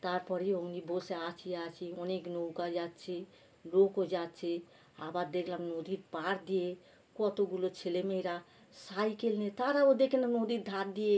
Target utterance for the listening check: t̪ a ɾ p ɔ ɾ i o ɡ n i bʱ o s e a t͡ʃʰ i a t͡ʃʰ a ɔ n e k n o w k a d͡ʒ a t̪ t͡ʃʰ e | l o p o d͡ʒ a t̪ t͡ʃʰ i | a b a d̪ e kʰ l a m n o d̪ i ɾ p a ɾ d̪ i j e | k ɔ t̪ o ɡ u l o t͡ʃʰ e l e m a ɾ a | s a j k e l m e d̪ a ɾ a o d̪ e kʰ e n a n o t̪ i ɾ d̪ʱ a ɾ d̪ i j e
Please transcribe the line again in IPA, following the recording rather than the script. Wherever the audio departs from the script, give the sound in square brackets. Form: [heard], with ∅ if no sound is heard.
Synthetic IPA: t̪ a ɾ p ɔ ɾ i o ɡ n i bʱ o s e a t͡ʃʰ i a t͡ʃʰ [i] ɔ n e k n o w k a d͡ʒ a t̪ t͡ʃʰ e | l o [k] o d͡ʒ a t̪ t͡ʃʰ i | a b a d̪ e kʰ l a m n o d̪ i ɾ p a ɾ d̪ i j e | k ɔ t̪ o ɡ u l o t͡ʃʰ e l e m [e] ɾ a | s a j k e l [n] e [t̪] a ɾ a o d̪ e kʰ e n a n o [d̪] i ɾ d̪ʱ a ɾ d̪ i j e